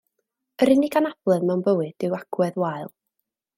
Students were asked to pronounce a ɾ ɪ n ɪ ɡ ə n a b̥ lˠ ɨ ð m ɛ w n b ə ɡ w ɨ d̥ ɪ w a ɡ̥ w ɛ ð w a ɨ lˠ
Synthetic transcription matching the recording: ə ɾ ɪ n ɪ ɡ a n a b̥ lˠ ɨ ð m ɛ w n b ə w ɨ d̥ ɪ w a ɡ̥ w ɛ ð w a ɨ lˠ